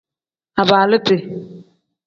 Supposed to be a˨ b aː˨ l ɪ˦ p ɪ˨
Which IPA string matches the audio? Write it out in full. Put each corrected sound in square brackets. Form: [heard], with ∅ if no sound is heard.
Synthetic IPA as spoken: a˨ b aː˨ l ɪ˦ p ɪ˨